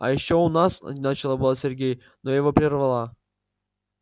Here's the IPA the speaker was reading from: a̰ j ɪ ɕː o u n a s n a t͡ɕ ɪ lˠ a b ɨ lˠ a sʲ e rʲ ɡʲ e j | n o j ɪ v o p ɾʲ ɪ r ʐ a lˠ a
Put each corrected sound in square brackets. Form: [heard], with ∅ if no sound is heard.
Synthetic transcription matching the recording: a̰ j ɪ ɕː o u n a s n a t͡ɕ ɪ lˠ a b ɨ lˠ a sʲ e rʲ ɡʲ e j | n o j ɪ v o p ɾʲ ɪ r [v] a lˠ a